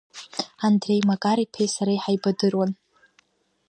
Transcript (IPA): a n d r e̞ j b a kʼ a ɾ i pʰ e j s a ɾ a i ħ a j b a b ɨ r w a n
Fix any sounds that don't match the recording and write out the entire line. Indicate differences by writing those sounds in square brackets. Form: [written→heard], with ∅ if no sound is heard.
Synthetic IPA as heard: a n d r e̞ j [b→m] a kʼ a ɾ i pʰ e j s a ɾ a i ħ a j b a [b→d] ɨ r w a n